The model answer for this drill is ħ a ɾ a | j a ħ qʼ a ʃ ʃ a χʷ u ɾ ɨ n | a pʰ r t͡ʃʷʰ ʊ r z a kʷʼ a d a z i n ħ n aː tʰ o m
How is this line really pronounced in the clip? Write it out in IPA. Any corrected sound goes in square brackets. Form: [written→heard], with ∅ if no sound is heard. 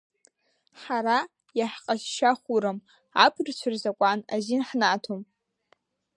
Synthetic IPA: ħ a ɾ a | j a ħ qʼ a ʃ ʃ a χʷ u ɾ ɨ [n→m] | a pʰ r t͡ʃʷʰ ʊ r z a kʷʼ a [d→n] a z i n ħ n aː tʰ o m